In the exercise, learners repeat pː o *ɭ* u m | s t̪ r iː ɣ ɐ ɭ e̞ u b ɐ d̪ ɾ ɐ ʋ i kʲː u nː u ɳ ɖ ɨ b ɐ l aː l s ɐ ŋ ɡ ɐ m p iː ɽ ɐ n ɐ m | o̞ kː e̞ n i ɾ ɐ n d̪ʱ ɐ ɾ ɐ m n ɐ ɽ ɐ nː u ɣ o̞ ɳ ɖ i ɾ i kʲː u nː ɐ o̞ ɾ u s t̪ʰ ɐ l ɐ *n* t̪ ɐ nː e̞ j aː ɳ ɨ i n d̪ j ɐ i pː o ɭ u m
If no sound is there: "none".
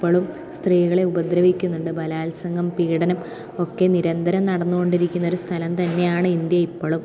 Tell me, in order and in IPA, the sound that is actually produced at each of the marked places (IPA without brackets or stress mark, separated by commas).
ɭ, m